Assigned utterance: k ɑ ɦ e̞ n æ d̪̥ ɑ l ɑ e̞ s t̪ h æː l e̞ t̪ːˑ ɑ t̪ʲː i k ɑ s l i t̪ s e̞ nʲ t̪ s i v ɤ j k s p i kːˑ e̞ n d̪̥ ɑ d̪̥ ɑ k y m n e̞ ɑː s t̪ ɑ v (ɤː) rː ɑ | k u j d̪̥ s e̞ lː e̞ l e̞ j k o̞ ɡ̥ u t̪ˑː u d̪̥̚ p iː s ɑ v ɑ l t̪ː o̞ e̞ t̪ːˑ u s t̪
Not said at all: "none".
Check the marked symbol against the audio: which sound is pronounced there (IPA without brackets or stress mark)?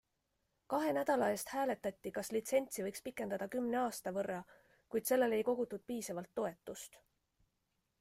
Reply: ɤ